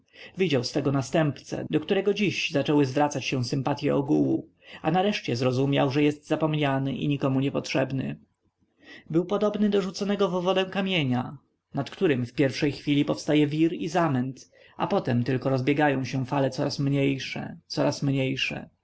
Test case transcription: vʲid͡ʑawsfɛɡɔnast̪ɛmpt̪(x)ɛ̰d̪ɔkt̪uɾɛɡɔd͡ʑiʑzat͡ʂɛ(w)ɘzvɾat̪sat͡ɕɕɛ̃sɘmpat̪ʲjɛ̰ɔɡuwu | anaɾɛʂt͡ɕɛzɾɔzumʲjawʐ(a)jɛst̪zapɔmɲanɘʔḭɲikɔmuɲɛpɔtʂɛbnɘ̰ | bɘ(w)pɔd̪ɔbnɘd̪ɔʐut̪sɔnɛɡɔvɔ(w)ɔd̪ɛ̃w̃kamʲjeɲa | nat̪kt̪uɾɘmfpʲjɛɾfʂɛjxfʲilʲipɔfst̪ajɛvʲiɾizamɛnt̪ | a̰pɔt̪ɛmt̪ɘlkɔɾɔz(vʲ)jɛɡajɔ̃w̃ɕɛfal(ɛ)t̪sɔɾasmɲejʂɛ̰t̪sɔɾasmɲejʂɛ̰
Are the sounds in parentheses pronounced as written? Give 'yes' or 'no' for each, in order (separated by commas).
no, yes, no, yes, no, no, yes